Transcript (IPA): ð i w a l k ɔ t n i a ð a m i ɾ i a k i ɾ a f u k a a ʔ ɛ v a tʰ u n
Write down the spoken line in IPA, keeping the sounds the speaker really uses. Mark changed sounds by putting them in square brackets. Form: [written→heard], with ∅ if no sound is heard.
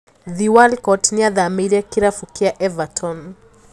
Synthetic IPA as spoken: ð i w a l k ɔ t n i a ð a m i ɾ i a k i ɾ a f u k [a→i] a ʔ ɛ v a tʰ [u→ɔ] n